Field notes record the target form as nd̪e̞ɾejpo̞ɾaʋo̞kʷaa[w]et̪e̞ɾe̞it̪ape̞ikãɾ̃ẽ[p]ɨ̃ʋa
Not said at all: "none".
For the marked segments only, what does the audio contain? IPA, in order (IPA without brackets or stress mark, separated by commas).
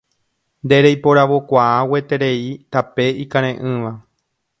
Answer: w, ʔ